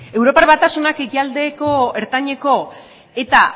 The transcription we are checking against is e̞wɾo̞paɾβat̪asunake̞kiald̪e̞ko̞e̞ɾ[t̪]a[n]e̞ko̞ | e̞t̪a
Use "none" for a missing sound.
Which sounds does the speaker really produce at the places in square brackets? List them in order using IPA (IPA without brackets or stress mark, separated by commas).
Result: t̪, ɲ